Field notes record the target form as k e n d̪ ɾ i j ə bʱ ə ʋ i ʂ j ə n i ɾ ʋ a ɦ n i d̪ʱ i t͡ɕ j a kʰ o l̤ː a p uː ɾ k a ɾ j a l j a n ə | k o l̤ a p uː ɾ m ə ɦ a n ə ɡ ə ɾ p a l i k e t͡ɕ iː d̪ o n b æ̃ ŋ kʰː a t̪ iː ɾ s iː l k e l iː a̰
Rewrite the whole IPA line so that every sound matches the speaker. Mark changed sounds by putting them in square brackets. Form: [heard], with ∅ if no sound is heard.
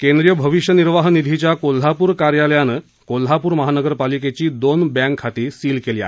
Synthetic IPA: k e n d̪ ɾ i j ə bʱ ə ʋ i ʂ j ə n i ɾ ʋ a ɦ n i d̪ʱ i t͡ɕ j a [k] o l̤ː a p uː ɾ k a ɾ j a l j a n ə | k o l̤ a p uː ɾ m ə ɦ a n ə ɡ ə ɾ p a l i k e t͡ɕ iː d̪ o n b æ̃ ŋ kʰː a t̪ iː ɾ s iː l k e l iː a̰